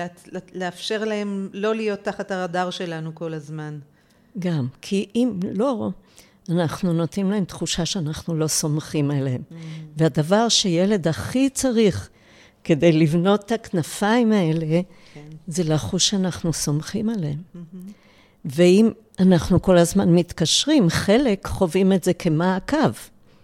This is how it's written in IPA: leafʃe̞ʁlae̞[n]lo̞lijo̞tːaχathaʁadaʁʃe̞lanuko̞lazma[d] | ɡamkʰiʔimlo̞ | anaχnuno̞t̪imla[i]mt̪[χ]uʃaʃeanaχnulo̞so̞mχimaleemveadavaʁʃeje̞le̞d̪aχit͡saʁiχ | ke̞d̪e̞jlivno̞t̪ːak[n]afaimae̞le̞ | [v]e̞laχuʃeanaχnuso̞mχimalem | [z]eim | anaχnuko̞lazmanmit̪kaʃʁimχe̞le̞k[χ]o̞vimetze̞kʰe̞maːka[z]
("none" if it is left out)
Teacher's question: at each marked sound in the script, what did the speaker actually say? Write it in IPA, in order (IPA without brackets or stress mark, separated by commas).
m, n, e, χ, n, z, v, χ, v